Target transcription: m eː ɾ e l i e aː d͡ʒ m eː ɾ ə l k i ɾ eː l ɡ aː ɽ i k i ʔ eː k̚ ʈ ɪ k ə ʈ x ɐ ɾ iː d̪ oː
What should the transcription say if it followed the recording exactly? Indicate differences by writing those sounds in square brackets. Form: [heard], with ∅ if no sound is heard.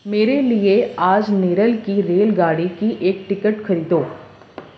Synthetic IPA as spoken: m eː ɾ e l i e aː d͡ʒ [n] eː ɾ ə l k i ɾ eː l ɡ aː ɽ i k i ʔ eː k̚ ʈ ɪ k ə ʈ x ɐ ɾ iː d̪ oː